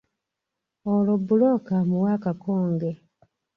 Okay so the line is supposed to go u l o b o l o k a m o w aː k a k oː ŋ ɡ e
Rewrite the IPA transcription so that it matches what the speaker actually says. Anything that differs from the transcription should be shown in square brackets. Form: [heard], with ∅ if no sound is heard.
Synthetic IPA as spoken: [o] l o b [u] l o k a m [u] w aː k a k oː ŋ ɡ e